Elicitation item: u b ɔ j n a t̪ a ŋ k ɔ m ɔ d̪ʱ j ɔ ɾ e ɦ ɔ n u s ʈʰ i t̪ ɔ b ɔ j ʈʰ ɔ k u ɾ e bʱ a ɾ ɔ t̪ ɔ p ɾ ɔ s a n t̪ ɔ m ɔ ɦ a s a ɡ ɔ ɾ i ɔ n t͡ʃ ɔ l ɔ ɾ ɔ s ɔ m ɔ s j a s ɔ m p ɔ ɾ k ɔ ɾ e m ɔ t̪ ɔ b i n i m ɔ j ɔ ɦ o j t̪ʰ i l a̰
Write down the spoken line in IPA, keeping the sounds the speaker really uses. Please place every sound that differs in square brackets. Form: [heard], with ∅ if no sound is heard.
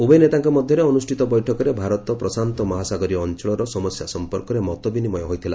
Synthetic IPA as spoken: u b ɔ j n [e] t̪ a ŋ k ɔ m ɔ d̪ʱ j ɔ ɾ e [∅] ɔ n u s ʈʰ i t̪ ɔ b ɔ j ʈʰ ɔ k [ɔ] ɾ e bʱ a ɾ ɔ t̪ ɔ p ɾ ɔ s a n t̪ ɔ m ɔ ɦ a s a ɡ ɔ ɾ i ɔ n t͡ʃ ɔ [ɭ] ɔ ɾ ɔ s ɔ m ɔ s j a s ɔ m p ɔ ɾ k ɔ ɾ e m ɔ t̪ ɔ b i n i m ɔ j ɔ ɦ o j t̪ʰ i l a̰